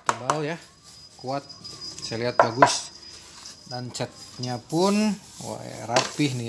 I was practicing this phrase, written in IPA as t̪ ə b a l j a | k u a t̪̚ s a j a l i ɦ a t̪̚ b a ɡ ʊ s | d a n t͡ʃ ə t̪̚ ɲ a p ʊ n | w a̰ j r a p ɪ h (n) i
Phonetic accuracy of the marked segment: correct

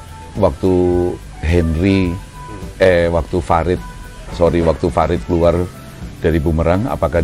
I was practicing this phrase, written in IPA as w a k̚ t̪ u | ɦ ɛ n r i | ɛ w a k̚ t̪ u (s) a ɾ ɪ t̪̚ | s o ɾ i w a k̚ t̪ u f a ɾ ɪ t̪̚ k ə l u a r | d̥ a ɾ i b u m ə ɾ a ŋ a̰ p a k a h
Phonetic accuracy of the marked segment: incorrect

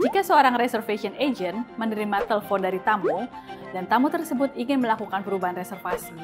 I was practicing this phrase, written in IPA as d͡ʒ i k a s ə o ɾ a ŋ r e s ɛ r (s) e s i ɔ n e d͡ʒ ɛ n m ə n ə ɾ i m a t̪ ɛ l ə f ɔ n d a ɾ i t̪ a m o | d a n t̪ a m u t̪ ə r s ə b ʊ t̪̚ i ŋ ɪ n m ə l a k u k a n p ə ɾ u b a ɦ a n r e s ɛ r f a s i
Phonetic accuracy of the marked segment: incorrect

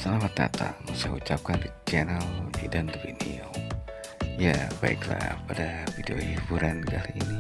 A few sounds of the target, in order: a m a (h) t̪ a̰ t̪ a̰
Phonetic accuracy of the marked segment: incorrect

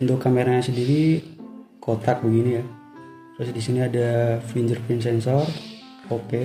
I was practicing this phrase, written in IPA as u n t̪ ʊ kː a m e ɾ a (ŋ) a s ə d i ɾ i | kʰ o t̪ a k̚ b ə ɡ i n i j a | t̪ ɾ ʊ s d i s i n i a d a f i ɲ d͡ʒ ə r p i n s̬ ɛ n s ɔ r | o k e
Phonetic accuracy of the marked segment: incorrect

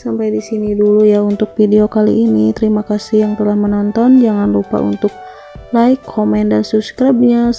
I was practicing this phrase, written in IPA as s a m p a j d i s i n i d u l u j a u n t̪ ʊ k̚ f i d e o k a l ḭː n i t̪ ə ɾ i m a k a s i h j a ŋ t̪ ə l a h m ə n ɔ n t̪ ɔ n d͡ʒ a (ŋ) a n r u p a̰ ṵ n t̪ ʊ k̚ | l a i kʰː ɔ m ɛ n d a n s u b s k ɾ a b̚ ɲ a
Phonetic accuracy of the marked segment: correct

